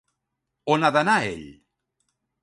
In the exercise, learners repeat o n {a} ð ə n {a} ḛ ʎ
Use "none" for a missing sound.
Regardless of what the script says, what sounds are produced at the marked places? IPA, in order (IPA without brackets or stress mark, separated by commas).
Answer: a, a